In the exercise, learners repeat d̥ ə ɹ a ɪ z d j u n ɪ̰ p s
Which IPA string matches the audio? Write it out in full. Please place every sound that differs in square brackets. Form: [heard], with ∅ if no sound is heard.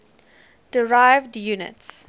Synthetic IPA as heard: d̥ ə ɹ a ɪ [v] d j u n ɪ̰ [t] s